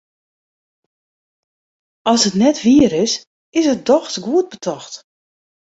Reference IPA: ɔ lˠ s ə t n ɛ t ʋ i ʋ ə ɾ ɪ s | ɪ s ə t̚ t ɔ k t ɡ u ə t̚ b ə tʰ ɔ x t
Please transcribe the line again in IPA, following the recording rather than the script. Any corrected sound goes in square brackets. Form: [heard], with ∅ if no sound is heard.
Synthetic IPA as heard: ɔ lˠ s ə t n ɛ t ʋ i [∅] ə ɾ ɪ s | ɪ s ə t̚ [d] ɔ [x] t ɡ u ə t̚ b ə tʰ ɔ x t